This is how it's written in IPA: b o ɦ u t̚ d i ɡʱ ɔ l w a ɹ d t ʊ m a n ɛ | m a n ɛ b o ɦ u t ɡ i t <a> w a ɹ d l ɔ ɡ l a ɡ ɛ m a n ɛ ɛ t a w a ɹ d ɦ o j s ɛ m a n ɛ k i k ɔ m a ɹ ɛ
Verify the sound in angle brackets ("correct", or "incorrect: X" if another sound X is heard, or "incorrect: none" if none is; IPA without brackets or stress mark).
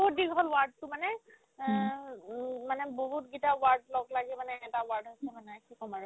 correct